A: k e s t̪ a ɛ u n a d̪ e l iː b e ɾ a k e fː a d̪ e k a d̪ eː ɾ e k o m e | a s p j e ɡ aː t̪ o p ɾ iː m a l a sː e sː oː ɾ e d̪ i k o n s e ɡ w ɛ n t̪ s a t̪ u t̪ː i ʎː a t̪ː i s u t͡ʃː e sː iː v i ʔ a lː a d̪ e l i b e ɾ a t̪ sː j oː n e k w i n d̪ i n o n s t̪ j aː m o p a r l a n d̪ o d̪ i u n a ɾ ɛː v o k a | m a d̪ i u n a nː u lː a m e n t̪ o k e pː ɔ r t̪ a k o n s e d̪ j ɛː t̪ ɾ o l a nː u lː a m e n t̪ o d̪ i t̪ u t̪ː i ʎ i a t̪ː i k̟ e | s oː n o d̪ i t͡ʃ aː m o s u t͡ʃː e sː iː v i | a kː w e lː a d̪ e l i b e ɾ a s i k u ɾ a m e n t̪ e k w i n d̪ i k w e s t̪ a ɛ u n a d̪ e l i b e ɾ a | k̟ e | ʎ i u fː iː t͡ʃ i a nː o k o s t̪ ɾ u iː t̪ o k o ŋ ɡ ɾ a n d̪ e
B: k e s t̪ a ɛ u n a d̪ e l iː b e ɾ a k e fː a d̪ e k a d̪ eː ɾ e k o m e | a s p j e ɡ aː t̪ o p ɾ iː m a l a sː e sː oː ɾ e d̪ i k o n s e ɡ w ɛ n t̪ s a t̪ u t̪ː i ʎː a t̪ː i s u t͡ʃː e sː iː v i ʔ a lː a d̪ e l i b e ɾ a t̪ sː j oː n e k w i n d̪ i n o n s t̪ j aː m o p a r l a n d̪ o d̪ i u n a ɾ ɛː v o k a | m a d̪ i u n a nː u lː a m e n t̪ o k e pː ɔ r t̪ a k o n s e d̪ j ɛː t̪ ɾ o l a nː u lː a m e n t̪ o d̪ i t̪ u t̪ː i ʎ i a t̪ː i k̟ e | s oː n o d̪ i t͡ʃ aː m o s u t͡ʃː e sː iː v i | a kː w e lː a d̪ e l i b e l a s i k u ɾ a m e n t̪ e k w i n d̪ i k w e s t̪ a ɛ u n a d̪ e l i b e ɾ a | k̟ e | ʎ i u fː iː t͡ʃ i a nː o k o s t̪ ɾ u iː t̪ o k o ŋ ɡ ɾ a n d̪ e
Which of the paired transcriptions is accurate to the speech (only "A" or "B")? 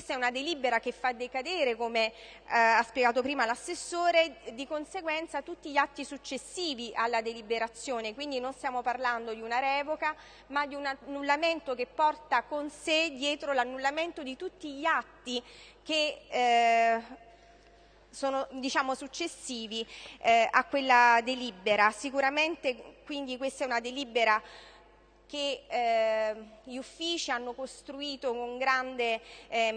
A